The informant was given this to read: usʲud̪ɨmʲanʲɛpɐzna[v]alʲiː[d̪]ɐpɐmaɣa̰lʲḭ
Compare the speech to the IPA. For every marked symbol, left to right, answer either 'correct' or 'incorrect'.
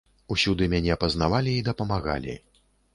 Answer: correct, correct

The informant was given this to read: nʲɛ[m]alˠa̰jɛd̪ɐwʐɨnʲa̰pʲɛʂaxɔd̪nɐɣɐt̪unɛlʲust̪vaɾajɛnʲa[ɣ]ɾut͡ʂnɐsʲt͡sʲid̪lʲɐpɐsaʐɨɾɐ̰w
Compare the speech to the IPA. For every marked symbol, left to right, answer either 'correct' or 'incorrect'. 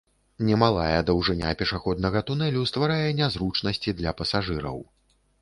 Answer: correct, incorrect: z

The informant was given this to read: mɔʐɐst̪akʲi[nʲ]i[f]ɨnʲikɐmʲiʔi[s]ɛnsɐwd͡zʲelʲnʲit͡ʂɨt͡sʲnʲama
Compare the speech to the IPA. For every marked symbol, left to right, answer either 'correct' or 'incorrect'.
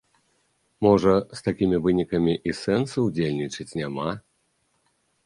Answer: incorrect: mʲ, incorrect: v, correct

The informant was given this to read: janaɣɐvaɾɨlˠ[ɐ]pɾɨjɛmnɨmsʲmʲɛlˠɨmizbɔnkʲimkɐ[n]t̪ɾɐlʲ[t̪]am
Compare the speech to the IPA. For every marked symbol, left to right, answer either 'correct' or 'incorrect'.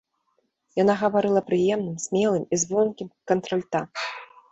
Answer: correct, correct, correct

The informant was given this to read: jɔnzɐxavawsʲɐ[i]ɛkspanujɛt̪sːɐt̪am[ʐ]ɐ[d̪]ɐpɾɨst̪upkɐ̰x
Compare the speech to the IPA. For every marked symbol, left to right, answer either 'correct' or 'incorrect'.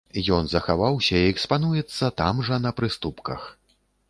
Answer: correct, correct, incorrect: n̪

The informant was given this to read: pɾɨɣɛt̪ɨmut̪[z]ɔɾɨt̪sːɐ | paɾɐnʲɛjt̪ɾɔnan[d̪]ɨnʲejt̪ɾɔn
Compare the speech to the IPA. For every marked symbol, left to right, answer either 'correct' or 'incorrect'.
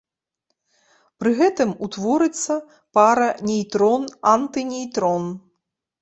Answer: incorrect: v, incorrect: t̪

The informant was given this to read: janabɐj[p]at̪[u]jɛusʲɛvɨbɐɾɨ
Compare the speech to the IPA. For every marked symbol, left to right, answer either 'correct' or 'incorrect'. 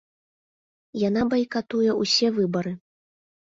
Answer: incorrect: k, correct

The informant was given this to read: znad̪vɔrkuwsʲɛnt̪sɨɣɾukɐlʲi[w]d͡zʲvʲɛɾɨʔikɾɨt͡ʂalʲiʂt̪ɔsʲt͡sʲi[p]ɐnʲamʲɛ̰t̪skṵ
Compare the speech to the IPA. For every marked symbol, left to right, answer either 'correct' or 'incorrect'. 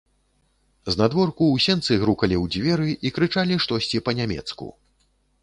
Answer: correct, correct

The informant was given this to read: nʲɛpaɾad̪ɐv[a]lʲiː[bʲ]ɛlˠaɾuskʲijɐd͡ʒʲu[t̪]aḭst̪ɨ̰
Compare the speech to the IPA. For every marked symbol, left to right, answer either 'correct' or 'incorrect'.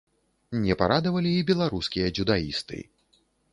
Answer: incorrect: ɐ, correct, incorrect: d̪

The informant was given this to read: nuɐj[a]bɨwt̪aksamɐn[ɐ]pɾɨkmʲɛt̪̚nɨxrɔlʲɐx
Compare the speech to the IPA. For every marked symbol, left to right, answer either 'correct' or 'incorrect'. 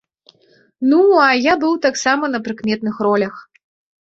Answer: correct, correct

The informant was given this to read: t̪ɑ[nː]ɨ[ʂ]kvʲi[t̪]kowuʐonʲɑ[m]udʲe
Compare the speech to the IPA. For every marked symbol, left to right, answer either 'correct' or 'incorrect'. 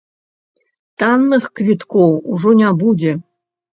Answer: correct, incorrect: x, correct, incorrect: b

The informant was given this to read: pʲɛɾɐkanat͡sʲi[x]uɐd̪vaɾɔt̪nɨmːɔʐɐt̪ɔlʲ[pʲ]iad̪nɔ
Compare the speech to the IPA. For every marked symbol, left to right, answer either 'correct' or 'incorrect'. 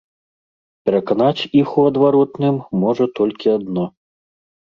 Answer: correct, incorrect: kʲ

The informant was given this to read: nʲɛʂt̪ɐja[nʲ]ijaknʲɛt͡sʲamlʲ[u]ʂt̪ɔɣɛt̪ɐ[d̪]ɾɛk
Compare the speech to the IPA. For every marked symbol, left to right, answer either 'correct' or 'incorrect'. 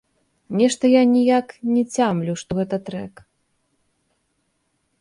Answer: correct, correct, incorrect: t̪

